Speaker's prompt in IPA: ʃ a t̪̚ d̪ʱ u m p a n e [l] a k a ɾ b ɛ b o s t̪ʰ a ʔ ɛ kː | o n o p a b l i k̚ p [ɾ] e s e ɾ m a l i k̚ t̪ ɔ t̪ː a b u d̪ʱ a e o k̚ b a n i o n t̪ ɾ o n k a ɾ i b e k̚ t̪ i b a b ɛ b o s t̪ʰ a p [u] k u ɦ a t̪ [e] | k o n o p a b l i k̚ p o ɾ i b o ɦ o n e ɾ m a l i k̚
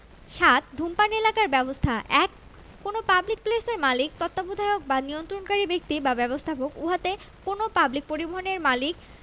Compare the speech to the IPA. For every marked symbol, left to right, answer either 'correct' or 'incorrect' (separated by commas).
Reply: correct, incorrect, incorrect, correct